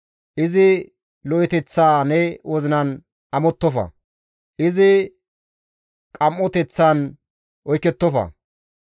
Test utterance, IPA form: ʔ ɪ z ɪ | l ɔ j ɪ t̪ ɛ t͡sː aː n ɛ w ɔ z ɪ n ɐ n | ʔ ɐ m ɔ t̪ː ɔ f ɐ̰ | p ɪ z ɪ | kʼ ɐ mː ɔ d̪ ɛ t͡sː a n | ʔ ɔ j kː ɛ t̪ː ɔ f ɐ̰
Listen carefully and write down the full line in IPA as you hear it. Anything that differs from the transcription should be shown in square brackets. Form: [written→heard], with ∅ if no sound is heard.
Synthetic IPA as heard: ʔ ɪ z ɪ | l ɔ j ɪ t̪ ɛ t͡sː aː n ɛ w ɔ z ɪ n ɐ n | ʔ ɐ m ɔ t̪ː ɔ f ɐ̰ | [p→ʔ] ɪ z ɪ | kʼ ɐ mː ɔ [d̪→t̪] ɛ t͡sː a n | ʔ ɔ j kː ɛ t̪ː ɔ f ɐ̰